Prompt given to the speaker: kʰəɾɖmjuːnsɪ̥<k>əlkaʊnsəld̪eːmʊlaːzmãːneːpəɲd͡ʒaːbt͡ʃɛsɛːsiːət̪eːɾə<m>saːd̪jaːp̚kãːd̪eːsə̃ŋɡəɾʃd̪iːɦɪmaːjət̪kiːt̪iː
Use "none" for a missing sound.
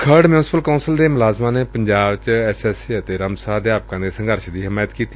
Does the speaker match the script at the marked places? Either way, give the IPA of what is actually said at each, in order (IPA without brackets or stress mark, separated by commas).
p, m